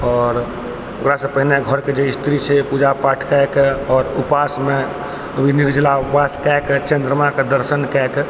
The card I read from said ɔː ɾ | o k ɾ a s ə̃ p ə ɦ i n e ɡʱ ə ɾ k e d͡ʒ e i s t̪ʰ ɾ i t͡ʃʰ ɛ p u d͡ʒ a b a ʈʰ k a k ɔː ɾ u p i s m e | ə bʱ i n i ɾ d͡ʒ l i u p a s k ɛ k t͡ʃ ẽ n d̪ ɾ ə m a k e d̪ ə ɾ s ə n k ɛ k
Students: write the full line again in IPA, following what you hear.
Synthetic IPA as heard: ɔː ɾ | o k ɾ a s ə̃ p ə ɦ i n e ɡʱ ə ɾ k e d͡ʒ e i s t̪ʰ ɾ i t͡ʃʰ ɛ p u d͡ʒ a p a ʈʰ k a k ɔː ɾ u p a s m e | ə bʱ i n i ɾ d͡ʒ l a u p a s k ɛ k t͡ʃ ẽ n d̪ ɾ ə m a k e d̪ ə ɾ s ə n k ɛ k

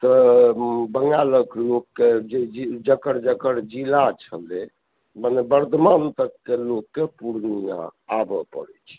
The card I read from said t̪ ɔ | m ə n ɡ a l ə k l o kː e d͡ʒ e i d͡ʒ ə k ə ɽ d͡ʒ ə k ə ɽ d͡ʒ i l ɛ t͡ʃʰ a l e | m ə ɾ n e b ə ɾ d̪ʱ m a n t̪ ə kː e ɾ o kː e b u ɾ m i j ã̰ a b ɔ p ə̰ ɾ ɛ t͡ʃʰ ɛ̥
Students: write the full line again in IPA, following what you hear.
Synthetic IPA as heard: t̪ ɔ | b ə ŋ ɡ a l ə k l o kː e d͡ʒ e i d͡ʒ ə k ə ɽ d͡ʒ ə k ə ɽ d͡ʒ i l a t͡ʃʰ ə l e | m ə n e b ə ɾ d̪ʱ m a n t̪ ə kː e l o kː e p u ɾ n i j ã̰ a b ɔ p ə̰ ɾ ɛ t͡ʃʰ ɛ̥

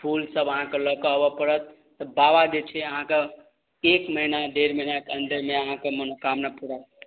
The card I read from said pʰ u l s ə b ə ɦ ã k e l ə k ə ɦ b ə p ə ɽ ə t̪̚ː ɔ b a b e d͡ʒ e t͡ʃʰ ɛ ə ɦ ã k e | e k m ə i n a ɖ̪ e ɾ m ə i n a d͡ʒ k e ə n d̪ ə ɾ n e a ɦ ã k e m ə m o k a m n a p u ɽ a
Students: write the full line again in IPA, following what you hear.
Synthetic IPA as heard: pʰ u l s ə b ə ɦ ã k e l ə k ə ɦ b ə p ə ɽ ə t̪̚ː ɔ b a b a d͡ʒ e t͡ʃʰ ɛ ə ɦ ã k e | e k m ə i n a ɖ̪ e ɾ m ə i n a k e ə n d̪ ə ɾ m e ə ɦ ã k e m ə n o k a m n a p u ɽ a

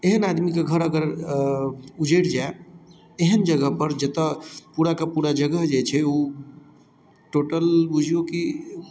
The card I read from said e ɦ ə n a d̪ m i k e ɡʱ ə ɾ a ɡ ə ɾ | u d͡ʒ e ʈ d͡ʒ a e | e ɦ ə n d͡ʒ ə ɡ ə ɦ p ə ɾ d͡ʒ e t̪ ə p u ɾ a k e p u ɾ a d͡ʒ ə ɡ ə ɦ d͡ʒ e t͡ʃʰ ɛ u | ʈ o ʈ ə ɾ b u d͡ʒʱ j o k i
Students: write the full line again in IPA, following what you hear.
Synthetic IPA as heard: e ɦ ə n a d̪ m i k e ɡʱ ə ɾ ə ɡ ə ɾ | u d͡ʒ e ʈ d͡ʒ a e | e ɦ ə n d͡ʒ ə ɡ ə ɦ p ə ɾ d͡ʒ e t̪ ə p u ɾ a k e p u ɾ a d͡ʒ ə ɡ ə ɦ d͡ʒ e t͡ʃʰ ɛ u | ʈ o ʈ ə l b u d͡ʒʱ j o k i

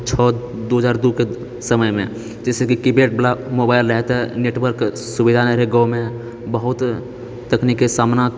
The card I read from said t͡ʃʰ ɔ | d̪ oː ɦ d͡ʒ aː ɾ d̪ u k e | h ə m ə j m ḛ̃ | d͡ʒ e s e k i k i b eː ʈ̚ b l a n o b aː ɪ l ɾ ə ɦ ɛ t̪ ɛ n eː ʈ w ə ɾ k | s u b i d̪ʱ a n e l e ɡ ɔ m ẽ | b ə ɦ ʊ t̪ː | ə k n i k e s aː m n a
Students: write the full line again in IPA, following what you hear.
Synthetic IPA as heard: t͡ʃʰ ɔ | d̪ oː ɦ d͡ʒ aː ɾ d̪ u k e | s ə m ə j m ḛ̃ | d͡ʒ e s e k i k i b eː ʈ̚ b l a m o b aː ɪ l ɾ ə ɦ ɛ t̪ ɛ n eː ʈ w ə ɾ k | s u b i d̪ʱ a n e ɾ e ɡ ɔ m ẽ | b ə ɦ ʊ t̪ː | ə k n i k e s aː m n a

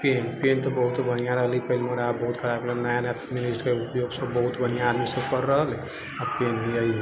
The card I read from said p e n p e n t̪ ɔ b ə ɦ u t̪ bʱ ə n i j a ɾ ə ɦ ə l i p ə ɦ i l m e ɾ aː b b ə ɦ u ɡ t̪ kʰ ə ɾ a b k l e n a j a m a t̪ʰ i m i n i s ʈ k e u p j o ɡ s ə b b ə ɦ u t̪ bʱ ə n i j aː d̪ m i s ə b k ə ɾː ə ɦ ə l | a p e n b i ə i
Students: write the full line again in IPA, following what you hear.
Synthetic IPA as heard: p e n p e n t̪ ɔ b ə ɦ u t̪ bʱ ə n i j a ɾ ə ɦ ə l i p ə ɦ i l m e ɾ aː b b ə ɦ u t̪ kʰ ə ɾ a b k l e n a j a n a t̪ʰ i m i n i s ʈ k e u p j o ɡ s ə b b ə ɦ u t̪ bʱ ə n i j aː d̪ m i s ə b k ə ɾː ə ɦ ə l | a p e n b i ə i

